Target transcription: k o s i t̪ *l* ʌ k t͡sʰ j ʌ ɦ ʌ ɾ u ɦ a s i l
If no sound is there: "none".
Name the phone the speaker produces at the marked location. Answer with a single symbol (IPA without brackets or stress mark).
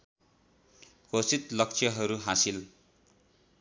l